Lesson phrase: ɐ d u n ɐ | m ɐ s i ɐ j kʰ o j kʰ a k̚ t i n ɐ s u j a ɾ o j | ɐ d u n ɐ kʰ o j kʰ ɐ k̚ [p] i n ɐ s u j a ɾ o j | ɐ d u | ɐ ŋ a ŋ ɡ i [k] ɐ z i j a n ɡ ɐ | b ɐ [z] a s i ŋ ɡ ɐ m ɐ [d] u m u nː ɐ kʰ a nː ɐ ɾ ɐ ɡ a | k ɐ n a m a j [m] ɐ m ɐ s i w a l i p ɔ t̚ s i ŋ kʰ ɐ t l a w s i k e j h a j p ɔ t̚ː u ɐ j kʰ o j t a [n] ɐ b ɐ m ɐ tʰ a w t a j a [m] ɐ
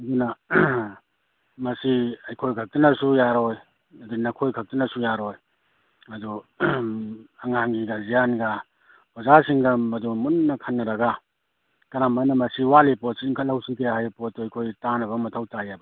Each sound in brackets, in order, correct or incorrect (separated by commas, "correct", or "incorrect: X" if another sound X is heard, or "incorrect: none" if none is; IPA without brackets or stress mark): incorrect: t, incorrect: ɡ, correct, correct, incorrect: n, correct, incorrect: b